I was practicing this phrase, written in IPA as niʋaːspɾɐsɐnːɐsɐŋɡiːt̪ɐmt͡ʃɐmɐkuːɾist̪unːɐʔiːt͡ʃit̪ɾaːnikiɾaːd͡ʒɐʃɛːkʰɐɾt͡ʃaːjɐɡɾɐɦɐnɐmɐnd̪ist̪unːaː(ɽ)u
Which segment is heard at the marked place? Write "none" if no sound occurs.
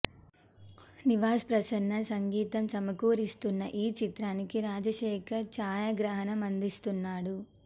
ɽ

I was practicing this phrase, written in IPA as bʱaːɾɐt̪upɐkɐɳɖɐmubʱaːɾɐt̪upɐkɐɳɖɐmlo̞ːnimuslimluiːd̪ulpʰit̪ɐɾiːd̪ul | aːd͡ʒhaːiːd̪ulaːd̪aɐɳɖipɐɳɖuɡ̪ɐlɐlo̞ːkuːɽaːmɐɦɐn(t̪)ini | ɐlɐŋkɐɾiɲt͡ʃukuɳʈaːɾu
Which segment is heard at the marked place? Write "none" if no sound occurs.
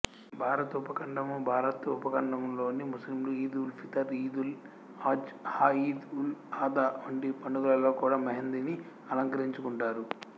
d̪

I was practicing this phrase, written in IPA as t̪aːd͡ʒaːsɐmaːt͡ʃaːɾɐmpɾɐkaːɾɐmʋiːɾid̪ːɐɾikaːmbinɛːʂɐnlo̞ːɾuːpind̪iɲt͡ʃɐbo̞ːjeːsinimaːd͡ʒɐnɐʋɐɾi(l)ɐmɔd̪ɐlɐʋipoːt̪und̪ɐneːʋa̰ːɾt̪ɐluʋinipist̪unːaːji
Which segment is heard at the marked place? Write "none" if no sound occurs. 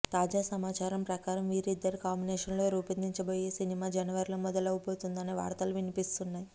l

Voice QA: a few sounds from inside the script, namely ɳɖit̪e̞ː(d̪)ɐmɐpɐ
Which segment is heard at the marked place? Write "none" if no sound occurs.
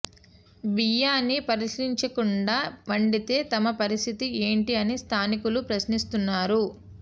t̪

